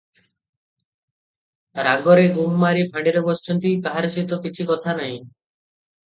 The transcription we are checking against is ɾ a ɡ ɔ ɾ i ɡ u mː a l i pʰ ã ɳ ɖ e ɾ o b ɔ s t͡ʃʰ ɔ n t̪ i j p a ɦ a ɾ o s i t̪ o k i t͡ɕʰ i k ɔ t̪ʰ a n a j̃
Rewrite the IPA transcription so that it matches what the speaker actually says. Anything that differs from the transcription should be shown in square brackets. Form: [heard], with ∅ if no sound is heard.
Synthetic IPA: ɾ a ɡ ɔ ɾ [e] ɡ u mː a [ɾ] i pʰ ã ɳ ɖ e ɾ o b ɔ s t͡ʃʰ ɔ n t̪ i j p a ɦ a ɾ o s i t̪ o k i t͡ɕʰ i k ɔ t̪ʰ a n a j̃